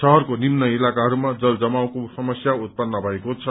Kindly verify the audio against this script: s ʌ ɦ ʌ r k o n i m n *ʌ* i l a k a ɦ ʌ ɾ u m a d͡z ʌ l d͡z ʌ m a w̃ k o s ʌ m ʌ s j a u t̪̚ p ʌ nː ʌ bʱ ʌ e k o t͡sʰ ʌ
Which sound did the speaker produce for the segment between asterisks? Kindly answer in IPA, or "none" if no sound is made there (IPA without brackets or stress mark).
ʌ